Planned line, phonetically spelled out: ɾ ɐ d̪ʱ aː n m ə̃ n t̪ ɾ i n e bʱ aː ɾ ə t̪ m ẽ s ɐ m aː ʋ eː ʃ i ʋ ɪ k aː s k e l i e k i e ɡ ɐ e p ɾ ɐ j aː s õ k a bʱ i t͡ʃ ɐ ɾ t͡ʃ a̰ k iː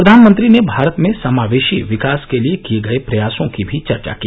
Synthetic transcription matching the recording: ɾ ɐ d̪ʱ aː n m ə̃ n t̪ ɾ i n e bʱ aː ɾ ə t̪ m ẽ s ɐ m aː ʋ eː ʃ i ʋ ɪ k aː s k e l i e k i e ɡ ɐ e p ɾ ɐ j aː s õ k i bʱ i t͡ʃ ɐ ɾ t͡ʃ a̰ k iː